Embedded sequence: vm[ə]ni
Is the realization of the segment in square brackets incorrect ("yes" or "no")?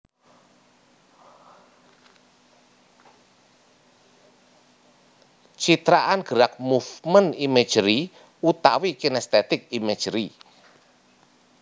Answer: no